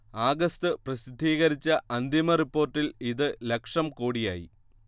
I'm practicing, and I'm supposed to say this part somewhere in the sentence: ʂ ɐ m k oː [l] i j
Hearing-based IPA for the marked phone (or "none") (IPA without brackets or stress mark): ɽ